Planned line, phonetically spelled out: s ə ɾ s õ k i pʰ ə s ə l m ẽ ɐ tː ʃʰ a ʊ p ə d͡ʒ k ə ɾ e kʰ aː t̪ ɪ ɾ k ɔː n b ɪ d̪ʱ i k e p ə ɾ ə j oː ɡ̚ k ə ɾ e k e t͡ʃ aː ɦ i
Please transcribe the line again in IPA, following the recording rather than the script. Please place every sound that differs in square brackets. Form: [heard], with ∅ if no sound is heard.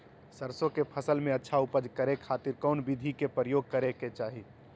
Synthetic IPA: s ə ɾ s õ k [e] pʰ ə s ə l m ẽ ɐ tː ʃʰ a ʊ p ə d͡ʒ k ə ɾ e kʰ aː t̪ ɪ ɾ k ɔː n b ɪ d̪ʱ i k e p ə ɾ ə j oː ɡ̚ k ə ɾ e k e t͡ʃ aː ɦ i